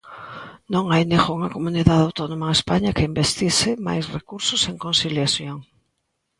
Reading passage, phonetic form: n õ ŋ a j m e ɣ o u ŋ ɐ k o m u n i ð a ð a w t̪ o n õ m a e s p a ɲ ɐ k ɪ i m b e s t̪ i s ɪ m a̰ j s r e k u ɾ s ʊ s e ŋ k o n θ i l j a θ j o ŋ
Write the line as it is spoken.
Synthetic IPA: n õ ŋ a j n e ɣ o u ŋ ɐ k o m u n i ð a ð a w t̪ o n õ m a e s p a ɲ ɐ k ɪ i m b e s t̪ i s ɪ m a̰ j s r e k u ɾ s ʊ s e ŋ k o n s i l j a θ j o ŋ